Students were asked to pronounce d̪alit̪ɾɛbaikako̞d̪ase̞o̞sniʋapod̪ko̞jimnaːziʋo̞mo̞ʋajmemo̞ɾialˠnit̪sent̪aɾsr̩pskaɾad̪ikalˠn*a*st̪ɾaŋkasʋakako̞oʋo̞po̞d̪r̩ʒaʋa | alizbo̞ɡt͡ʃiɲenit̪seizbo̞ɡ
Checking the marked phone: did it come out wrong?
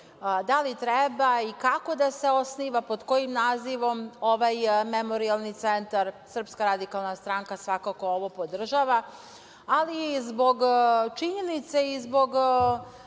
no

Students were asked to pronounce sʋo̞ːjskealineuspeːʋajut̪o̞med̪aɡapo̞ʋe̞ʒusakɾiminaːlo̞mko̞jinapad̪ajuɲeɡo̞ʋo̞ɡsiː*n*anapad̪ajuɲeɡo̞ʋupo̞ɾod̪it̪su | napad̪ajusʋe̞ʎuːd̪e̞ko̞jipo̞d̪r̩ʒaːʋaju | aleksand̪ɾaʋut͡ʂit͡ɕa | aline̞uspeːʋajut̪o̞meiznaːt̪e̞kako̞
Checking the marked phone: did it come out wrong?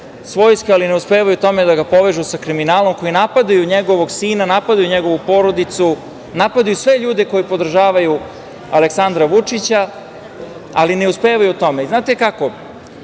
no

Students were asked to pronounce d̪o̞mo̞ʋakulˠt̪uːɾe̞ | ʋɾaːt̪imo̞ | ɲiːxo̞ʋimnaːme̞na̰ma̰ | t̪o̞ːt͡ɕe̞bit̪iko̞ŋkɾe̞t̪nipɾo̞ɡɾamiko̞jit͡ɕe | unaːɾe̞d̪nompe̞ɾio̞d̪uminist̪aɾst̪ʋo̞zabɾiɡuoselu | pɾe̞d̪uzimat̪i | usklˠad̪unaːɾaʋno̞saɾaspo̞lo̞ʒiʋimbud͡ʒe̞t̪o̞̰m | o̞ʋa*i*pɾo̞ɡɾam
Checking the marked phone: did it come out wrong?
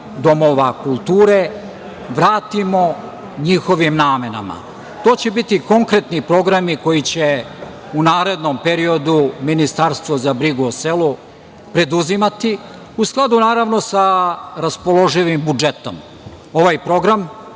yes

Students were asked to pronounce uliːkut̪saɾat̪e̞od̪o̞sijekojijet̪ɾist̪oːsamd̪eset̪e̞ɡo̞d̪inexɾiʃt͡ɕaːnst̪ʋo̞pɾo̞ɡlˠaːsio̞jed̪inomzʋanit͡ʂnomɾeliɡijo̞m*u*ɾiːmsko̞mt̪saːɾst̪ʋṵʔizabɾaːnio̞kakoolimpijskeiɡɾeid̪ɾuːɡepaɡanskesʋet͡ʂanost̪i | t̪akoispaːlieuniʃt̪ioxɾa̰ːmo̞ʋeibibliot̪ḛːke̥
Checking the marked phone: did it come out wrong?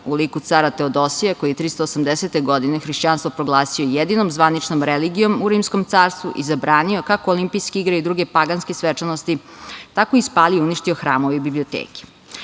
no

